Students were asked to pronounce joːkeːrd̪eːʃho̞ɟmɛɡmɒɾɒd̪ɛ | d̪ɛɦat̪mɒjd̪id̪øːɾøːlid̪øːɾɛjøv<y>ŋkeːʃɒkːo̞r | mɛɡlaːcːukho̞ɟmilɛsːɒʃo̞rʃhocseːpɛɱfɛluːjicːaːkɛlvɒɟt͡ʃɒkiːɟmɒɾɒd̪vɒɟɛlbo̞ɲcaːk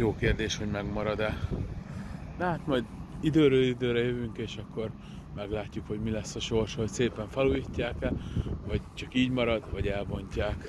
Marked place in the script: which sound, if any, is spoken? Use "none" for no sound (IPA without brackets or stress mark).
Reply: y